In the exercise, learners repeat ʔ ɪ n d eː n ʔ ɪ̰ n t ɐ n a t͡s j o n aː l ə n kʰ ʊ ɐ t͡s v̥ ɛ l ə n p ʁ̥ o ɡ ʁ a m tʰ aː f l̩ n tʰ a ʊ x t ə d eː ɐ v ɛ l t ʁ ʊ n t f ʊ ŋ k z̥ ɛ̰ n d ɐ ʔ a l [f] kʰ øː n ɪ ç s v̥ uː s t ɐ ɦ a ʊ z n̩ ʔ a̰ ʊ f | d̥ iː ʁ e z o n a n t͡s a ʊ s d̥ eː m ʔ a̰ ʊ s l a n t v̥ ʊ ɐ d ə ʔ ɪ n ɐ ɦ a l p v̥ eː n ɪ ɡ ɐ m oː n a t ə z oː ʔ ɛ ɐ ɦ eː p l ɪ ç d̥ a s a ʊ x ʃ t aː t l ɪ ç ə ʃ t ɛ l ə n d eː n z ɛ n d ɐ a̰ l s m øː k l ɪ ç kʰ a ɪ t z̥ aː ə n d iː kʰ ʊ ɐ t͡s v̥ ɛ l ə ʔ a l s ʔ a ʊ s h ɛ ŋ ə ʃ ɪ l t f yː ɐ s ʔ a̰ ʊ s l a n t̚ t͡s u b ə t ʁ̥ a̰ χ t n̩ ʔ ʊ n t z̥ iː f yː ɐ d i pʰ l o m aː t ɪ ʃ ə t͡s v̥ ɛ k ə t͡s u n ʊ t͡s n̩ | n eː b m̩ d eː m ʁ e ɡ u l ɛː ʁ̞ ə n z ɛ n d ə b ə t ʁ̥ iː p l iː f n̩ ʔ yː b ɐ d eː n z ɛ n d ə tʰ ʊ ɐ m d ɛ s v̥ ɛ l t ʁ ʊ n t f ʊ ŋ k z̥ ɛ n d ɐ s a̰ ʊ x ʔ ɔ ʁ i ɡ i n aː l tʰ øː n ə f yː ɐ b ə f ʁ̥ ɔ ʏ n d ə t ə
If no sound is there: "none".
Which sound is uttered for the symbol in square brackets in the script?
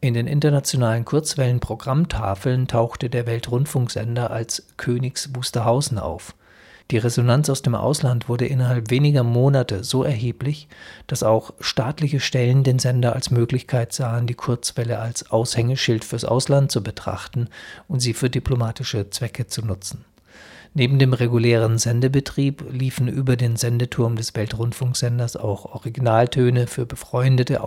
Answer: s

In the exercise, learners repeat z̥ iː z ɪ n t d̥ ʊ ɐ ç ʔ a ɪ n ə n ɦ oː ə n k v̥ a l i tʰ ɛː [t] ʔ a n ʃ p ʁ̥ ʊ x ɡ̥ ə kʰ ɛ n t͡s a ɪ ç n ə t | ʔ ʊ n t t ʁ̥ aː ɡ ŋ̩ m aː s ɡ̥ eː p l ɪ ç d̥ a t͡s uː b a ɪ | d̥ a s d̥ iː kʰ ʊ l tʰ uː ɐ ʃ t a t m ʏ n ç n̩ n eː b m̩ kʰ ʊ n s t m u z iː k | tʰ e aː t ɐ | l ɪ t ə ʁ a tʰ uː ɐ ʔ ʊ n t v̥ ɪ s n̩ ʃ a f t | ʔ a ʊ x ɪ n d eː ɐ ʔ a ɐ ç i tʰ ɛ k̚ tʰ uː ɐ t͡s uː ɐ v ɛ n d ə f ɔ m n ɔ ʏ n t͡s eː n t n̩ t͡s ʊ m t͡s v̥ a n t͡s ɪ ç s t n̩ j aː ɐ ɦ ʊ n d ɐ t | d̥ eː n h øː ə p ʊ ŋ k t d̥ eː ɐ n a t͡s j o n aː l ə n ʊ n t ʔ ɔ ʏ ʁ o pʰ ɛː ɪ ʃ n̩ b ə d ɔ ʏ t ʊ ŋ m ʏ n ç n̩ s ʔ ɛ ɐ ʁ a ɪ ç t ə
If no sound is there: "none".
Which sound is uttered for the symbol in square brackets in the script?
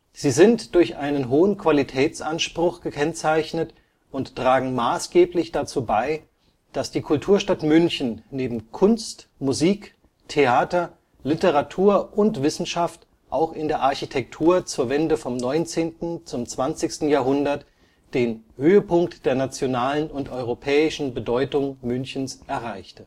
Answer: t͡s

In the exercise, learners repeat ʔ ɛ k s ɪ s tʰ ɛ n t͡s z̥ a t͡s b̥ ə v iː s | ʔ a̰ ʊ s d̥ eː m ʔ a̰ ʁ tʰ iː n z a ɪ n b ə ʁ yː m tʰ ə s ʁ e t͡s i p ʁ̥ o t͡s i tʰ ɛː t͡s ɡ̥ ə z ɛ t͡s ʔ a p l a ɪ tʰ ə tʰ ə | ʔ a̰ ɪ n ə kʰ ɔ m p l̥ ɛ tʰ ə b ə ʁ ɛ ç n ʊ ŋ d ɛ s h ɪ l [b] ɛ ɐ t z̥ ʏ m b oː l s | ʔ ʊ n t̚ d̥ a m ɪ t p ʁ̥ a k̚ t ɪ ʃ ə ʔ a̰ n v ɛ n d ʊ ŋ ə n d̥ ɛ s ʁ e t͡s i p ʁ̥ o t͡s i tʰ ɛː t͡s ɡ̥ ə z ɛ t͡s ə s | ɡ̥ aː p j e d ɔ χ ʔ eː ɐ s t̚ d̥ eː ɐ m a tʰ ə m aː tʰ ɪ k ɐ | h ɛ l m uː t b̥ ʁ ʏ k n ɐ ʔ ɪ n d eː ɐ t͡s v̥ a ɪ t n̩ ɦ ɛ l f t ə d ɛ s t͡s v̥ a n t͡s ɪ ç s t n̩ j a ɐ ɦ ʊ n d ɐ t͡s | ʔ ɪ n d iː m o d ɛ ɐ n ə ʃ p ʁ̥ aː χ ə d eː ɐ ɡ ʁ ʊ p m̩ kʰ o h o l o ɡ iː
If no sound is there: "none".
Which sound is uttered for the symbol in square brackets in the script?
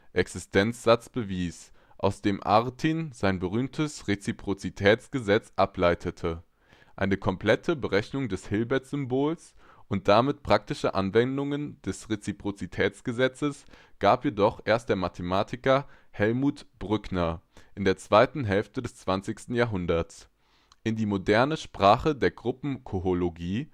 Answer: b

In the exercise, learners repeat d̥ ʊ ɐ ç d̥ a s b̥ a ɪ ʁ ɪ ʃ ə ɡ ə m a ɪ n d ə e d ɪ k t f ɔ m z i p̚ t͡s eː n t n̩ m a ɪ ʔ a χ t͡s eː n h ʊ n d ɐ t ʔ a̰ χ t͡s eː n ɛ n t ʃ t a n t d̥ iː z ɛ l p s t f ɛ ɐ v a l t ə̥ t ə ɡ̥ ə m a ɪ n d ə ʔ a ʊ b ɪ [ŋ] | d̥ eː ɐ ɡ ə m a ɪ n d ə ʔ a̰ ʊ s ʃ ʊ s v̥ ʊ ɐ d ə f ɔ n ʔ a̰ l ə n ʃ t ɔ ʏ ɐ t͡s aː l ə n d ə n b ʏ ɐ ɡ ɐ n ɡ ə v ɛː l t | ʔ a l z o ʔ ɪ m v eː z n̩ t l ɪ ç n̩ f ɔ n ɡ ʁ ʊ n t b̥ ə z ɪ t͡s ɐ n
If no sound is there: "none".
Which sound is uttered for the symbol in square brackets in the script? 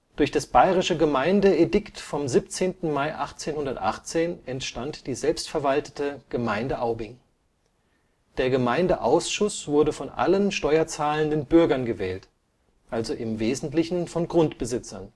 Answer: ŋ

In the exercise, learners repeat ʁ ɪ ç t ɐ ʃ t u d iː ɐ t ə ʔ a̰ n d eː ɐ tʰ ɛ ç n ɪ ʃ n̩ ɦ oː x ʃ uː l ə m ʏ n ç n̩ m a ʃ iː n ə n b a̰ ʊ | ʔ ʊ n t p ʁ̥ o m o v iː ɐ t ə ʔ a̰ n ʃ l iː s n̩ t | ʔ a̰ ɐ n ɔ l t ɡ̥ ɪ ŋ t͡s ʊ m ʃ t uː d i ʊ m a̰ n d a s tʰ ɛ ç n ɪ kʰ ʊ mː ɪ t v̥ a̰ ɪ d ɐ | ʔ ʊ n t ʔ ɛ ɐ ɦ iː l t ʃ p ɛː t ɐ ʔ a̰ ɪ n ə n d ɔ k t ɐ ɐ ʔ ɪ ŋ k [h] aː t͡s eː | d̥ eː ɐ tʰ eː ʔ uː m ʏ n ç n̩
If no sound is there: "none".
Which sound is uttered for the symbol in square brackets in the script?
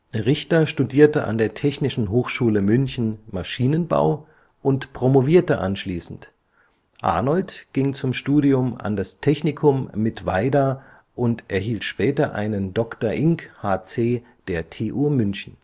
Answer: h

